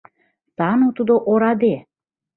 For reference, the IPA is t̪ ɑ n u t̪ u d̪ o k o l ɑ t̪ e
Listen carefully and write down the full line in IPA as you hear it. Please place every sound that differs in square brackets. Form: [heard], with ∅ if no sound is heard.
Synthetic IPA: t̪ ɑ n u t̪ u d̪ o [ʔ] o [ɾ] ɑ [d̪] e